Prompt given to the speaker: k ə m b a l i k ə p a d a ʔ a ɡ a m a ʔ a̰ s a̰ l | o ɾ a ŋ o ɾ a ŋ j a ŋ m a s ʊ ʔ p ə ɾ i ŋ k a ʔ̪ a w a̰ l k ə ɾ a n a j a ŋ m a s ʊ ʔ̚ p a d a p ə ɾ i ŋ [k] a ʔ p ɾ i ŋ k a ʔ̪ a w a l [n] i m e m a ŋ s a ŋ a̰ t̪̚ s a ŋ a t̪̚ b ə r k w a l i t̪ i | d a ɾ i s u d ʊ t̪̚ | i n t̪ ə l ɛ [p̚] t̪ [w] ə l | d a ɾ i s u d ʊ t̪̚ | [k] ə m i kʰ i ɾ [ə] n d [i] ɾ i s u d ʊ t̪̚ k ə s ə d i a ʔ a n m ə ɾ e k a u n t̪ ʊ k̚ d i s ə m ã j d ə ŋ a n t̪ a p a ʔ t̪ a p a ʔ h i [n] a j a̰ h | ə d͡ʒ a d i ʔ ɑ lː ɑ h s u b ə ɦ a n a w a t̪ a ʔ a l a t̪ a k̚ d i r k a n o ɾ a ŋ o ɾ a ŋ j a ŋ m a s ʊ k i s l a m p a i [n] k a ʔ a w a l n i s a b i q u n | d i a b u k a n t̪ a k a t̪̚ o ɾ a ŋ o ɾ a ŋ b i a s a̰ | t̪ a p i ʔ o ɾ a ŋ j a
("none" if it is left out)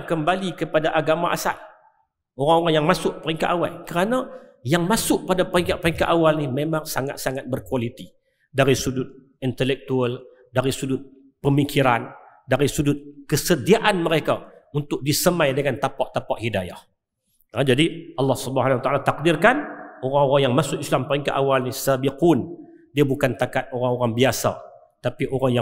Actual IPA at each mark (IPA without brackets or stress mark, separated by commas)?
k, n, k̚, u, p, a, a, d, ŋ